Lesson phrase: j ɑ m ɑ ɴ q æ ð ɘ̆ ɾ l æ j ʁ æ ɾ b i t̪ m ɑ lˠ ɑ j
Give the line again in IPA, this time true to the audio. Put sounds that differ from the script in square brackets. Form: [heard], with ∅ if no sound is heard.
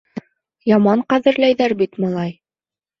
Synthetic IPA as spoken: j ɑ m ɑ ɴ q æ ð ɘ̆ ɾ l æ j [ð] æ ɾ b i t̪ m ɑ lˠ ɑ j